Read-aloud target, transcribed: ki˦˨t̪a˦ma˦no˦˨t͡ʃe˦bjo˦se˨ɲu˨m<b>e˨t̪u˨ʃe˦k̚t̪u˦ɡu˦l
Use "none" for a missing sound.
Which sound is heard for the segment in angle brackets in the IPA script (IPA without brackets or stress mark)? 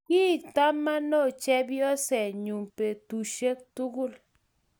p